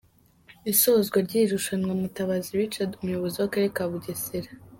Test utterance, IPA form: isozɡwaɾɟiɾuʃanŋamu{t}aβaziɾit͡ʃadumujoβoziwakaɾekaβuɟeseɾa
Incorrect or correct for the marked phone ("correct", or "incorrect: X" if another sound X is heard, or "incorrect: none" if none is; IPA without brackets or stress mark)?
correct